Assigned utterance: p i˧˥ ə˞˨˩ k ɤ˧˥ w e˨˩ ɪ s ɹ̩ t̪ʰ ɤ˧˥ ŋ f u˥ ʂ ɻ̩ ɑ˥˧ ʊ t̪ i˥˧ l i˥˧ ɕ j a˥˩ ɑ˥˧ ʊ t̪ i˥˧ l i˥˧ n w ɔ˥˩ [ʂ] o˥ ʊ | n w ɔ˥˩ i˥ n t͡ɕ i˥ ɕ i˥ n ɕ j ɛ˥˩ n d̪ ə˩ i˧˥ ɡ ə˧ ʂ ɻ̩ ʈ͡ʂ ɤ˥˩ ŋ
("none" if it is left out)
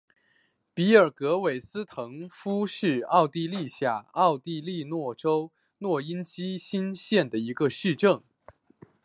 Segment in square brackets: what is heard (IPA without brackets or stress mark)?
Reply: ʈ͡ʂ